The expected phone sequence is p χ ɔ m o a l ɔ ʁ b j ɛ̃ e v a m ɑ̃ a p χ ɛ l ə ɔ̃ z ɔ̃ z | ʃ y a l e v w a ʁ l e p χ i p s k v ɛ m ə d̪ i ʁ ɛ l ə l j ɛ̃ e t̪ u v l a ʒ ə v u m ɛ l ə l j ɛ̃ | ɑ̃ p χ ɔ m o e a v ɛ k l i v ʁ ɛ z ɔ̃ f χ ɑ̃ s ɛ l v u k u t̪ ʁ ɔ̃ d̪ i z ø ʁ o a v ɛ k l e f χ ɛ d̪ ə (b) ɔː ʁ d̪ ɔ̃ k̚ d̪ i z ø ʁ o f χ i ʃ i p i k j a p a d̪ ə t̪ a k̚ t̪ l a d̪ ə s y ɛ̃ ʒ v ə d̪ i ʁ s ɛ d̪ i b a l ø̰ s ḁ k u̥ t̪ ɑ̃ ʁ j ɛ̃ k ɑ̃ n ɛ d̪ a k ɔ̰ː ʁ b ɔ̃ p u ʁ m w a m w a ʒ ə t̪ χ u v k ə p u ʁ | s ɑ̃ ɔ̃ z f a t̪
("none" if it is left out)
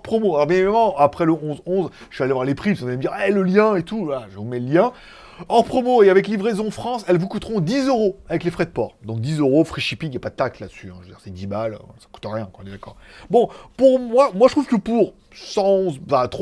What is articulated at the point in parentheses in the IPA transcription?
p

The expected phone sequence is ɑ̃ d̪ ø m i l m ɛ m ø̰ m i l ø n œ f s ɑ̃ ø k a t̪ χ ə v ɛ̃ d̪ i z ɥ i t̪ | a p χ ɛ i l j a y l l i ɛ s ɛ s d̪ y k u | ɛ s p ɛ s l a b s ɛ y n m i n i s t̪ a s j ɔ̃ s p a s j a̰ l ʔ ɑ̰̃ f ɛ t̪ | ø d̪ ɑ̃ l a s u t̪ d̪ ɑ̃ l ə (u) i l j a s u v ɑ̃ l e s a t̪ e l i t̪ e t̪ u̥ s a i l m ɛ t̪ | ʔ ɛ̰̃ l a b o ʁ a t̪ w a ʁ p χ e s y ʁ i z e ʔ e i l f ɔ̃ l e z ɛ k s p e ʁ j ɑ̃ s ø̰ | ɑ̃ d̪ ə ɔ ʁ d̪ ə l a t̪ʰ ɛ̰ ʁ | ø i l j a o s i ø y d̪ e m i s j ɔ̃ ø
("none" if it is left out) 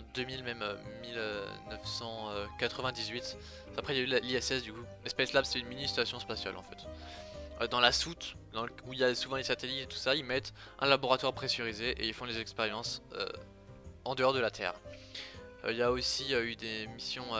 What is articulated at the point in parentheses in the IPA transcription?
u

